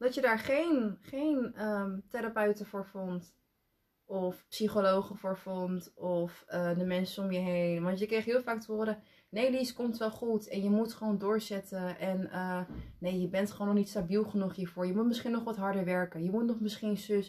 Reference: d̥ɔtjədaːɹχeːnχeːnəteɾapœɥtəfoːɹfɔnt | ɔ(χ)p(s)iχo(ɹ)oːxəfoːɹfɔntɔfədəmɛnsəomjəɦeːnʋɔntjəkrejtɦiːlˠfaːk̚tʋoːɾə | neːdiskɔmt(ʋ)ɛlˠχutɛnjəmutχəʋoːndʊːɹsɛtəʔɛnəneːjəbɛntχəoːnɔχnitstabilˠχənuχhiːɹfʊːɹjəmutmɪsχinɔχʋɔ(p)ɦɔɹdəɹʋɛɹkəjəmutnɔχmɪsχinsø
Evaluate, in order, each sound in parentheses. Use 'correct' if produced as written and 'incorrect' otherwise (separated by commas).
incorrect, correct, incorrect, correct, incorrect